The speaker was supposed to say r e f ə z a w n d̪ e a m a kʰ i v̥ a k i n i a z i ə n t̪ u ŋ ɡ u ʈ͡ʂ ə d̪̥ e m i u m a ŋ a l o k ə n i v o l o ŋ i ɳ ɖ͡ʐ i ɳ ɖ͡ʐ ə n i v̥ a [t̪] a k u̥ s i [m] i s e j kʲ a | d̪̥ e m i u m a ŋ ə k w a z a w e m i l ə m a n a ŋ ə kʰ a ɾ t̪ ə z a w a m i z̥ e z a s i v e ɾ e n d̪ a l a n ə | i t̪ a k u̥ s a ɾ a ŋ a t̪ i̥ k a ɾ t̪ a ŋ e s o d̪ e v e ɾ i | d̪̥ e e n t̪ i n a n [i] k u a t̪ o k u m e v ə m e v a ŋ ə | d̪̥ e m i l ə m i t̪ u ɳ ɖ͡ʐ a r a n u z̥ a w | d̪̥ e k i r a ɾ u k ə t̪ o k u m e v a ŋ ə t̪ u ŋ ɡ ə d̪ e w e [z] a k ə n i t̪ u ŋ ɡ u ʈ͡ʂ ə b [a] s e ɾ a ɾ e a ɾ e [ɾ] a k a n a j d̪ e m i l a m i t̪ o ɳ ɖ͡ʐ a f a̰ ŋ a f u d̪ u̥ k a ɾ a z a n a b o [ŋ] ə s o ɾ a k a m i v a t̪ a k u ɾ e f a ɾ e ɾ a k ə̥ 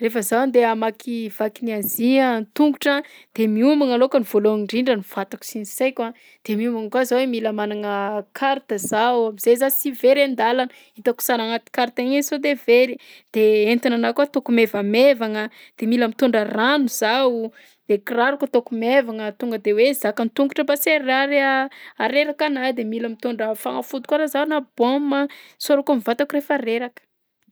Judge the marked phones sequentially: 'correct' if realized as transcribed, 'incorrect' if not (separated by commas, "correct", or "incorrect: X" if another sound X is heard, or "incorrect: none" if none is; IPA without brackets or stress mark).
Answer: correct, incorrect: n, incorrect: a, correct, correct, correct, incorrect: m